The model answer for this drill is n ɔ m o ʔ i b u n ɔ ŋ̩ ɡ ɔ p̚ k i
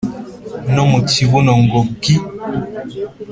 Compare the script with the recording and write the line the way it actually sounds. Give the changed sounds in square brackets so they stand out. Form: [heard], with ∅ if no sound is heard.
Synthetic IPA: n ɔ m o [t] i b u n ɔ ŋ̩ ɡ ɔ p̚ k i

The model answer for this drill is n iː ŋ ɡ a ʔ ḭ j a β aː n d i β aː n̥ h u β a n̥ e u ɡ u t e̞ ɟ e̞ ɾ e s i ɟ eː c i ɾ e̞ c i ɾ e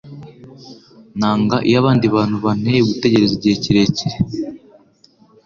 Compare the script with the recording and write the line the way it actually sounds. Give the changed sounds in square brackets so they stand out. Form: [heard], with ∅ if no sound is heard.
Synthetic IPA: n [aː] ŋ ɡ a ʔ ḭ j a β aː n d i β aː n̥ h u β a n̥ e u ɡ u t e̞ ɟ e̞ ɾ e [z] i ɟ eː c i ɾ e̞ c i ɾ e

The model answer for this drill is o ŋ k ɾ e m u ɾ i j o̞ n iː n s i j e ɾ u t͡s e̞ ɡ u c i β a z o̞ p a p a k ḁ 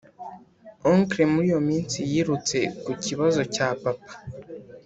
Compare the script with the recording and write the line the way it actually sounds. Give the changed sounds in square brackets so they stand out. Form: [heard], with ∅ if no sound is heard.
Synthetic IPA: o ŋ k ɾ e m u ɾ i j o̞ [m] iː n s i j [i] ɾ u t͡s e̞ [k] u c i β a z o̞ [c] a p a [p] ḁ

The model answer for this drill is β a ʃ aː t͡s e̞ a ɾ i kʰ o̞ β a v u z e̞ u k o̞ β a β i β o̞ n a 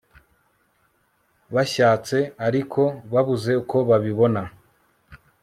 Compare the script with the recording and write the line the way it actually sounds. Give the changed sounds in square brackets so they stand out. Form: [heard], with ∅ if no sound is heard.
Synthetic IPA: β a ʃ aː t͡s e̞ a ɾ i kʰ o̞ β a [β] u z e̞ u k o̞ β a β i β o̞ n a

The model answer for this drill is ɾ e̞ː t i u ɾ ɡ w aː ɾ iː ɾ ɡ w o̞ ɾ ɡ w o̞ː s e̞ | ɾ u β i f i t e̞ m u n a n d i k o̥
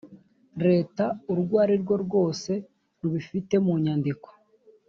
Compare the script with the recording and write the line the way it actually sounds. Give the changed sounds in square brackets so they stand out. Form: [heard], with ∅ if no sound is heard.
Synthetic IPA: ɾ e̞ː t [a] u ɾ ɡ w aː ɾ [i] ɾ ɡ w o̞ ɾ ɡ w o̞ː s e̞ | ɾ u β i f i t e̞ m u [ɲ] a n d i k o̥

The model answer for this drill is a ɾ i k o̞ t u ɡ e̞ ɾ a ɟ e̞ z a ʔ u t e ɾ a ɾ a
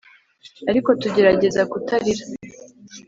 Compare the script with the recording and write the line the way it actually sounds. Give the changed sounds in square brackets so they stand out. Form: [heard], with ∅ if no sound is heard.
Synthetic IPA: a ɾ i k o̞ t u [ɟ] e̞ ɾ a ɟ e̞ z a [k] u t [a] ɾ [i] ɾ a

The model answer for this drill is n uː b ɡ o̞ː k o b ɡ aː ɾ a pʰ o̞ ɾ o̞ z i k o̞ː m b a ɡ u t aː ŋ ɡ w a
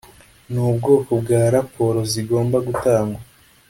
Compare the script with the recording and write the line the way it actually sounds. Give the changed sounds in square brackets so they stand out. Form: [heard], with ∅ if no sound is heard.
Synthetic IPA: n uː b ɡ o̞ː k o b ɡ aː ɾ a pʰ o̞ ɾ o̞ z i [ɡ] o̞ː m b a ɡ u t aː ŋ ɡ w a

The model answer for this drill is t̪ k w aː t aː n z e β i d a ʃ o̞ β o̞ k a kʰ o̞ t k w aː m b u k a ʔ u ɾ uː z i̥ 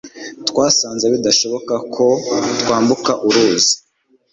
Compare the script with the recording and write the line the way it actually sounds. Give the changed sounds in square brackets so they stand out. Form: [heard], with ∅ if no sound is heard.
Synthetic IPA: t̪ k w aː [s] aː n z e β i d a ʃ o̞ β o̞ k a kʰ o̞ t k w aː m b u k a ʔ u ɾ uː z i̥

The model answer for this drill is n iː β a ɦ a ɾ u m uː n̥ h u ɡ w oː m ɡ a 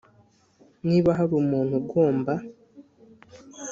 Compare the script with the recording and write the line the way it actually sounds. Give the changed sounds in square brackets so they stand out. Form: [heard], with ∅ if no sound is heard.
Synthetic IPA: n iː β a ɦ a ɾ u m uː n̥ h u ɡ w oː m [b] a

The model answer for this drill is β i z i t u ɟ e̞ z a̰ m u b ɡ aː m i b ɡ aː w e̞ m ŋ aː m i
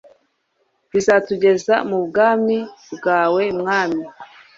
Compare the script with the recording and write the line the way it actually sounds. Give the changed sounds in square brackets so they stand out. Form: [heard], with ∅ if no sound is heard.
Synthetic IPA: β i z [a] t u ɟ e̞ z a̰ m u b ɡ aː m i b ɡ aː w e̞ m ŋ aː m i

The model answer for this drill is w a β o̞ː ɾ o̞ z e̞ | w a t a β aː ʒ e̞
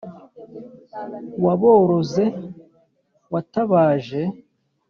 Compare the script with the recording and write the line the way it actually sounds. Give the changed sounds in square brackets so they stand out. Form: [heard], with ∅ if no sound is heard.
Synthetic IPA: w a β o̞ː ɾ o̞ z e̞ | w a t a β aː ʒ e̞

